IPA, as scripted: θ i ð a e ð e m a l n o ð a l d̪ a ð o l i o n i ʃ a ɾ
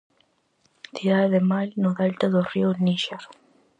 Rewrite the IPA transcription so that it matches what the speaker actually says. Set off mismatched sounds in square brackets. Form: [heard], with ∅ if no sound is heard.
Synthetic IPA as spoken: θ i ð a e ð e m a l n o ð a l [t̪] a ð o [r] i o n i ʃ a ɾ